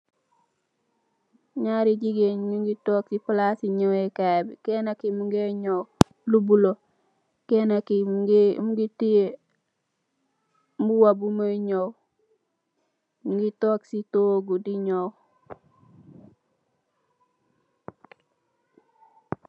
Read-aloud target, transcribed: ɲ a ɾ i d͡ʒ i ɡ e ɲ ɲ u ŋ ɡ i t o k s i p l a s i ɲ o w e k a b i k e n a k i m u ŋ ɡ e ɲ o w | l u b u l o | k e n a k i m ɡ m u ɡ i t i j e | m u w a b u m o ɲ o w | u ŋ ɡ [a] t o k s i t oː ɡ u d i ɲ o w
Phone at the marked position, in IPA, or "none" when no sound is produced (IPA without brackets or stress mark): i